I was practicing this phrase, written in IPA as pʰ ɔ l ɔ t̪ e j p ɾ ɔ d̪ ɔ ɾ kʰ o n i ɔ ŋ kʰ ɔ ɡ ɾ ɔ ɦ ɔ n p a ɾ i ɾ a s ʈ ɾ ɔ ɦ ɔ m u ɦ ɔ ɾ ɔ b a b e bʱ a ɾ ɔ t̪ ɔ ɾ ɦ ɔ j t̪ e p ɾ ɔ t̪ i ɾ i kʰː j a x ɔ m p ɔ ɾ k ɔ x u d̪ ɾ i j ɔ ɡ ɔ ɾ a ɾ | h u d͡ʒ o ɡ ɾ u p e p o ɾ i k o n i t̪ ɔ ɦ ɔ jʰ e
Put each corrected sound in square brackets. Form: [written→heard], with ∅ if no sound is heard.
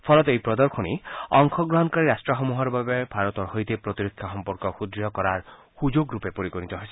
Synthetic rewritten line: pʰ ɔ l ɔ t̪ e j p ɾ ɔ d̪ ɔ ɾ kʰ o n i ɔ ŋ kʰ ɔ ɡ ɾ ɔ ɦ ɔ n [p→k] a ɾ i ɾ a s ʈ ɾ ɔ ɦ ɔ m u ɦ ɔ ɾ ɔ b a b e bʱ a ɾ ɔ t̪ ɔ ɾ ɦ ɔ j t̪ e p ɾ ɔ t̪ i ɾ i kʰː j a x ɔ m p ɔ ɾ k ɔ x u d̪ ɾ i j ɔ [ɡ→k] ɔ ɾ a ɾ | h u d͡ʒ o ɡ ɾ u p e p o ɾ i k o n i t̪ ɔ ɦ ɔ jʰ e